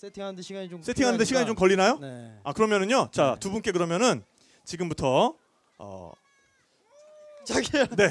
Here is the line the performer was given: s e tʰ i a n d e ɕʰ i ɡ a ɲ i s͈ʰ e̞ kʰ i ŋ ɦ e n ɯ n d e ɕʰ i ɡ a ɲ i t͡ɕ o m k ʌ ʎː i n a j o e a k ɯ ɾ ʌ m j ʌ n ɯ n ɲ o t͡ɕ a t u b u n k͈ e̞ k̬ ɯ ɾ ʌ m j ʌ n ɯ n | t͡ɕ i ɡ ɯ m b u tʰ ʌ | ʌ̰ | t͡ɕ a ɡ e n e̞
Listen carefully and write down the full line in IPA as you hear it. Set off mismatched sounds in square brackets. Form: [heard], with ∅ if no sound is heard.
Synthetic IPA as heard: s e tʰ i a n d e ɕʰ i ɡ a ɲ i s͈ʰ e̞ [tʰ] i ŋ ɦ [a] n ɯ n d e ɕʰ i ɡ a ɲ i t͡ɕ o m k ʌ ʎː i n a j o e a k ɯ ɾ ʌ m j ʌ n ɯ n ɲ o t͡ɕ a t u b u n k͈ e̞ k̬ ɯ ɾ ʌ m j ʌ n ɯ n | t͡ɕ i ɡ ɯ m b u tʰ ʌ | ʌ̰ | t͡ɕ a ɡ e n e̞